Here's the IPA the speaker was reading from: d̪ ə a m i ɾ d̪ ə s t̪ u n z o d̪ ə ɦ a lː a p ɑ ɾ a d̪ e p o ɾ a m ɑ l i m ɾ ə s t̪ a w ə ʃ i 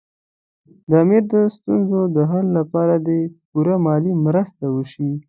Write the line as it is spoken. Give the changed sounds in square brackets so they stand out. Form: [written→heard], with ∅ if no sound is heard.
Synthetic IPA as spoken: d̪ ə a m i ɾ d̪ ə s t̪ u n z o d̪ ə ɦ a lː a p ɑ ɾ a d̪ e p [o→u] ɾ a m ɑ l i m ɾ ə s t̪ a w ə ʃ i